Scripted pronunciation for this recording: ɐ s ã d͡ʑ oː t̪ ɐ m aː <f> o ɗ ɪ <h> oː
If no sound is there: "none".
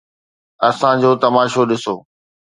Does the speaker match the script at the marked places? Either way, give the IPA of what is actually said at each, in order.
ʃ, s

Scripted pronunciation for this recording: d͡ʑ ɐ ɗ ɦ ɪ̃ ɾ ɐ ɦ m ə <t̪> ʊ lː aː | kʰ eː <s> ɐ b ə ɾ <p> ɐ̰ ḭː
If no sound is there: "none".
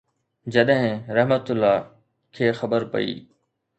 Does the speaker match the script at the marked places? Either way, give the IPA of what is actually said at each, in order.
t̪, x, p

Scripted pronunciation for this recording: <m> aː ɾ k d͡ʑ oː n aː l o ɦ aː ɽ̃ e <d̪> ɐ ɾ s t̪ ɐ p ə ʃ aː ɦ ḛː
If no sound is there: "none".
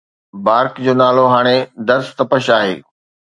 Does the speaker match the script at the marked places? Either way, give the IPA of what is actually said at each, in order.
b, d̪

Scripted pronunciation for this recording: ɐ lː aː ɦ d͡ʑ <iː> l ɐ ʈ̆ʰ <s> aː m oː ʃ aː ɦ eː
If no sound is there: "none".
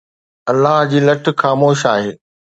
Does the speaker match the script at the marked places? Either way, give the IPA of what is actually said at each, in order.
iː, x

